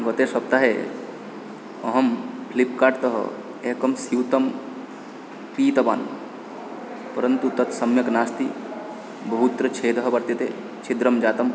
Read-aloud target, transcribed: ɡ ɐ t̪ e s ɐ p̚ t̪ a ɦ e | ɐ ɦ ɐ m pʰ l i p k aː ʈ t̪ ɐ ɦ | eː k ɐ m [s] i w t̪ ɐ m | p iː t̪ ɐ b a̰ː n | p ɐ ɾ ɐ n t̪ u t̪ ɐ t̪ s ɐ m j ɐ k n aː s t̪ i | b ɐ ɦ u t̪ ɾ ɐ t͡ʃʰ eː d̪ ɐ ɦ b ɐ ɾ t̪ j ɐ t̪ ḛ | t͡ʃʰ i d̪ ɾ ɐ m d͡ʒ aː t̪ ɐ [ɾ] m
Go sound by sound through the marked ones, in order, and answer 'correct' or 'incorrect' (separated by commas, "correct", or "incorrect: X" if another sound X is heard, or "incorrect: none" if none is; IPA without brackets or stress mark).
correct, incorrect: none